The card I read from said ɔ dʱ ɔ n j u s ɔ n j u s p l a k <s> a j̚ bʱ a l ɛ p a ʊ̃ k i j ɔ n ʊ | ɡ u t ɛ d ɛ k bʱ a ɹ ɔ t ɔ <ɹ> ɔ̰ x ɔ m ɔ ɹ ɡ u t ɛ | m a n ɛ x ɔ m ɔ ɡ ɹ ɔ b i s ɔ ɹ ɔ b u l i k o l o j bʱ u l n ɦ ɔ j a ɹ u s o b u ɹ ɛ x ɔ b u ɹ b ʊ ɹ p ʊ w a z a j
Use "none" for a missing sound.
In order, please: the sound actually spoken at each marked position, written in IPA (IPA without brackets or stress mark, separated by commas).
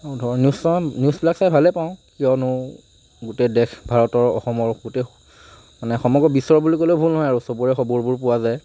s, ɹ